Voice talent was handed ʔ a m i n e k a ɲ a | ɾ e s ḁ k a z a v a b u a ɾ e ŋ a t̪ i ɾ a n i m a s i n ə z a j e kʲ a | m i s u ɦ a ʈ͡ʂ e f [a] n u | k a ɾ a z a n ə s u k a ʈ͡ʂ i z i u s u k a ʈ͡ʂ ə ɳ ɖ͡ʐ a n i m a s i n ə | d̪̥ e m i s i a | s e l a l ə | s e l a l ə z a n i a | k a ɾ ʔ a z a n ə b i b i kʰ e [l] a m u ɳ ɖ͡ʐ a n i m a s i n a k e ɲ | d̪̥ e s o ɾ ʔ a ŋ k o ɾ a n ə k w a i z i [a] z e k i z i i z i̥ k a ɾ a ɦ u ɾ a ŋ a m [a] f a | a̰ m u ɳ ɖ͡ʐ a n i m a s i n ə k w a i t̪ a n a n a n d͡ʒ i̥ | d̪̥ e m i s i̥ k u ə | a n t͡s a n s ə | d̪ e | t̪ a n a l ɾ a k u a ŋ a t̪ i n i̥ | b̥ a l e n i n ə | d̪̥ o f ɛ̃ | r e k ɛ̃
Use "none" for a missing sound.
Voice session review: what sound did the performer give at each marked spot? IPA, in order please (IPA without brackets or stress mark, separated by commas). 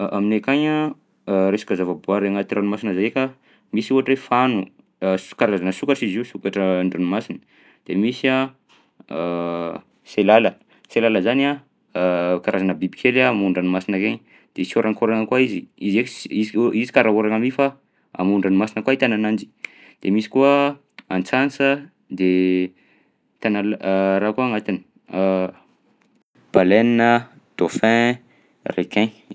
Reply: a, l, i, i